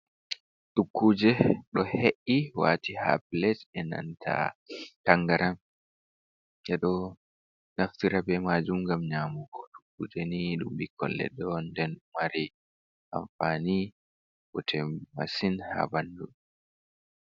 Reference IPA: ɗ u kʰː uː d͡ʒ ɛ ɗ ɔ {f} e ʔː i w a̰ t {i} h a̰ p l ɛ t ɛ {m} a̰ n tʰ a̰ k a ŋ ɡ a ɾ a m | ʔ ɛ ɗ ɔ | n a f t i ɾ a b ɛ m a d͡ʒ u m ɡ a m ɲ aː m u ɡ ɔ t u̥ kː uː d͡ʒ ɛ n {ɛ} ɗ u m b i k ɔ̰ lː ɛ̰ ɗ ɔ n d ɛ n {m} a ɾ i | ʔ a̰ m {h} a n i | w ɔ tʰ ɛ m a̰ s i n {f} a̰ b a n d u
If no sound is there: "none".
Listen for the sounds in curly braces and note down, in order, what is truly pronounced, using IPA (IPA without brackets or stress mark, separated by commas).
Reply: h, i, n, i, m, f, h